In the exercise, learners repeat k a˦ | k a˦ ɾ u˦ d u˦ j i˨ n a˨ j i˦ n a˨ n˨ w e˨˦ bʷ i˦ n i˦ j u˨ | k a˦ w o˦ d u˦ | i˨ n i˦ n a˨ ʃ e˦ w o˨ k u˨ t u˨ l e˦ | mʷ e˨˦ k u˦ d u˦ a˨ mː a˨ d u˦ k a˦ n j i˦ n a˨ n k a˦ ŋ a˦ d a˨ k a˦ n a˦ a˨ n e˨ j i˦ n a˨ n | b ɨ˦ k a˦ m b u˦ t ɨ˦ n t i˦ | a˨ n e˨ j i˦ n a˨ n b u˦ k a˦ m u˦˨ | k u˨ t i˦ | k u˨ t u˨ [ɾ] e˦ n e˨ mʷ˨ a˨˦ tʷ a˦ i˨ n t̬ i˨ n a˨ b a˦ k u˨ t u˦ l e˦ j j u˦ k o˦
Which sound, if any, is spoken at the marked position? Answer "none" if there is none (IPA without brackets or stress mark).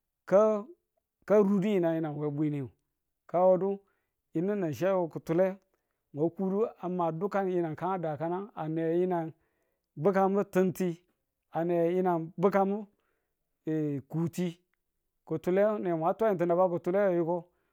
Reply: l